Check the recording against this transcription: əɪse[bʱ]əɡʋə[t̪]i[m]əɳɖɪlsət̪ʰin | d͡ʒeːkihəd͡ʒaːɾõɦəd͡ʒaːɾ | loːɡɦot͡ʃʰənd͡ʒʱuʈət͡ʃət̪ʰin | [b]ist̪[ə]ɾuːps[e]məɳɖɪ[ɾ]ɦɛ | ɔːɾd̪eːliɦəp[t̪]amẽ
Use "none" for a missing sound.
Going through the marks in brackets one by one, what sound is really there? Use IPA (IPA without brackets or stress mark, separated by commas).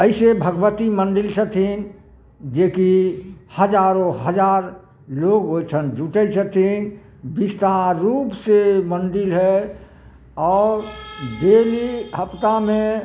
bʱ, t̪, m, b, a, e, l, t̪